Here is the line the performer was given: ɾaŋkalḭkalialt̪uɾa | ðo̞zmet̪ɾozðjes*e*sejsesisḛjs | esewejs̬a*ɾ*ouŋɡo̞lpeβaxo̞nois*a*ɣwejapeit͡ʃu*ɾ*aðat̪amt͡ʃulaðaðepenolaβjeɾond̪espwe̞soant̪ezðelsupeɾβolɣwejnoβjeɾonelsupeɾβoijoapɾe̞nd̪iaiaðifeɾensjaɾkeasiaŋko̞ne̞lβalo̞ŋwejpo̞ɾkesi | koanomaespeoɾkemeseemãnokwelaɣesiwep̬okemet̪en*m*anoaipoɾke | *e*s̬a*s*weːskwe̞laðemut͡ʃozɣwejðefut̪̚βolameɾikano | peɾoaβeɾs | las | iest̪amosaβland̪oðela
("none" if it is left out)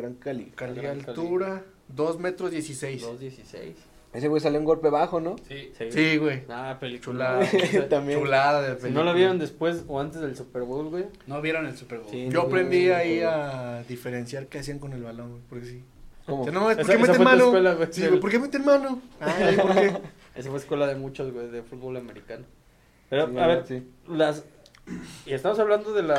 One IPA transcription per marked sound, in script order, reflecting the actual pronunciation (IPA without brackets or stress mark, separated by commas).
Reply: i, l, i, l, m, e, f